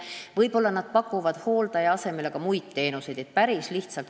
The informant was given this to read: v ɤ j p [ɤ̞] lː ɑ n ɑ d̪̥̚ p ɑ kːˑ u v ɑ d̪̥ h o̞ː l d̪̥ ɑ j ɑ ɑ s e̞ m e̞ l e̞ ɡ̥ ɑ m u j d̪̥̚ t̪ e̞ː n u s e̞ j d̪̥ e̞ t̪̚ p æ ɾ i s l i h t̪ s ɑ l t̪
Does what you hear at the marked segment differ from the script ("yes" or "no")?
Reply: yes